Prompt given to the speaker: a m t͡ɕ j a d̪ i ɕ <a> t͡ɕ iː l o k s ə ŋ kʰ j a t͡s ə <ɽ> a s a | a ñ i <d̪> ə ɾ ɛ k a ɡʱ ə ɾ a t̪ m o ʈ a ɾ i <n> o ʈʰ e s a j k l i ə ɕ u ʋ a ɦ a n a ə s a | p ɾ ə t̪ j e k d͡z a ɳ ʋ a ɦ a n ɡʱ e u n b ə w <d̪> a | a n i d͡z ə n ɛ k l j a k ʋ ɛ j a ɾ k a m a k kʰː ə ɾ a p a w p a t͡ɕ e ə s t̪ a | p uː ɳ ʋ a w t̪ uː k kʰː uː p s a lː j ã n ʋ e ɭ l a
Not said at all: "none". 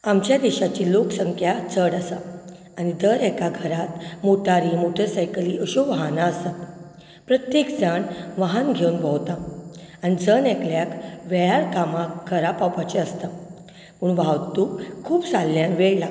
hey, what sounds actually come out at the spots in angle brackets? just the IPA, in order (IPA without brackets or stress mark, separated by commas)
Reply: a, ɽ, d̪, m, t̪